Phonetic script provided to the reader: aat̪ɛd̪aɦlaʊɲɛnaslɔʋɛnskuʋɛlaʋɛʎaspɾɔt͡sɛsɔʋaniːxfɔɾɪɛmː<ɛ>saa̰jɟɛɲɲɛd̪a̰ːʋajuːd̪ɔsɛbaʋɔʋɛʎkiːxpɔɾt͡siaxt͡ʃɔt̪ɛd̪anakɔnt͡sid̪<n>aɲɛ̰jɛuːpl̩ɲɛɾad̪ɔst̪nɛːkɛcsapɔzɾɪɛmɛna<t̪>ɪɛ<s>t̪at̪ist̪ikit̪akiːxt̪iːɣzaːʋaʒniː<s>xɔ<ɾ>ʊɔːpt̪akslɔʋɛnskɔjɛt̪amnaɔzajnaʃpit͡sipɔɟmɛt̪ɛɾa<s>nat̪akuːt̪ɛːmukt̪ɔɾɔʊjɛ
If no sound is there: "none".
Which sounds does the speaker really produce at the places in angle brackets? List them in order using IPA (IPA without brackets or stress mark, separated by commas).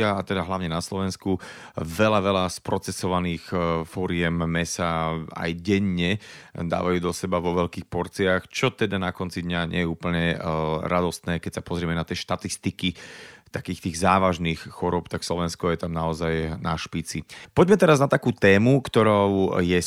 ɛ, ɲ, t̪, ʃ, x, ɾ, z